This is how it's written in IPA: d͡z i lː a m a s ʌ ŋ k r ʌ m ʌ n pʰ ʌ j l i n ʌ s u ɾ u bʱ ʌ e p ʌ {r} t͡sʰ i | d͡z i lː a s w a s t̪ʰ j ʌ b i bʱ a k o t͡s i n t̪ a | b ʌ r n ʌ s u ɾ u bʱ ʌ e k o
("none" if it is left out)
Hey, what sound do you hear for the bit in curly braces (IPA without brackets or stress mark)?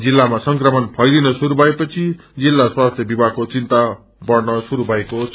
none